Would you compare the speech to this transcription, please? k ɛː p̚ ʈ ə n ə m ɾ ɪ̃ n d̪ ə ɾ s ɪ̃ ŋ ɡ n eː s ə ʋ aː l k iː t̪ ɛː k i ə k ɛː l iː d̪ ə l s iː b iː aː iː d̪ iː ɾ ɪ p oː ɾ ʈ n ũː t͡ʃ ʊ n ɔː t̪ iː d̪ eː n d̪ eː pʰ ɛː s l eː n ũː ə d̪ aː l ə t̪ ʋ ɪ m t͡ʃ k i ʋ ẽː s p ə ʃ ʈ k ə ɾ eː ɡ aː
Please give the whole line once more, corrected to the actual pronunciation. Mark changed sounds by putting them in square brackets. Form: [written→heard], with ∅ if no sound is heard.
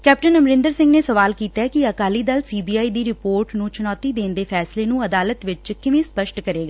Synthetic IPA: k ɛː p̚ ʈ ə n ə m ɾ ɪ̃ n d̪ ə ɾ s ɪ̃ ŋ ɡ n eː s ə ʋ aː l k iː t̪ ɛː k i ə k [ɛː→aː] l iː d̪ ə l s iː b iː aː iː d̪ iː ɾ ɪ p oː ɾ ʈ n ũː t͡ʃ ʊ n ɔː t̪ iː d̪ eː n d̪ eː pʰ ɛː s l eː n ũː ə d̪ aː l ə t̪ ʋ ɪ [m→∅] t͡ʃ k [i→ɪ] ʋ ẽː s p ə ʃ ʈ k ə ɾ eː ɡ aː